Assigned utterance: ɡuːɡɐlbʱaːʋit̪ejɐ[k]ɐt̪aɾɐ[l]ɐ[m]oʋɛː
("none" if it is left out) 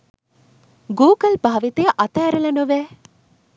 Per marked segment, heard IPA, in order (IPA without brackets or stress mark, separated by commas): ʔ, l, n